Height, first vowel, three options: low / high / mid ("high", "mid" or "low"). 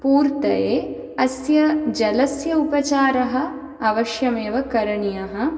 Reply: high